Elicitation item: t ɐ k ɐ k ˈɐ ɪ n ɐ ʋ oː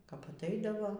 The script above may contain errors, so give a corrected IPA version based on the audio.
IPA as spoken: k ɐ p ɐ t ˈɐ ɪ d ɐ ʋ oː